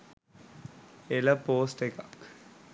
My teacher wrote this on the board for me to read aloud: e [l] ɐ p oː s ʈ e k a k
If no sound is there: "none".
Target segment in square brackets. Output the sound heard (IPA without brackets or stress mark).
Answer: l